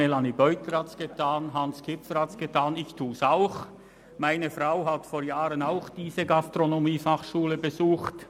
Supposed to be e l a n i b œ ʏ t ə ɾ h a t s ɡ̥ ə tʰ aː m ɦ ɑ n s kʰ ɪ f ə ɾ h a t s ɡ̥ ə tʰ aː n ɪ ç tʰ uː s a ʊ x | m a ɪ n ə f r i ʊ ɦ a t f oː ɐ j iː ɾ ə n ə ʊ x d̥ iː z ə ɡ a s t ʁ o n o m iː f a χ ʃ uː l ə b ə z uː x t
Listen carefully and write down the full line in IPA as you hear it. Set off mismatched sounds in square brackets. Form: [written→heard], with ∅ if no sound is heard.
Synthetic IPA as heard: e l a n i b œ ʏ t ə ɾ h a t s ɡ̥ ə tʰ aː [m→n] ɦ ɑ n s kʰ ɪ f ə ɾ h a t s ɡ̥ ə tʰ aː n ɪ ç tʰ uː s a ʊ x | m a ɪ n ə f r [i→a] ʊ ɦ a t f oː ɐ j [iː→aː] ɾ ə n [ə→a] ʊ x d̥ iː z ə ɡ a s t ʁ o n o m iː f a χ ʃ uː l ə b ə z uː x t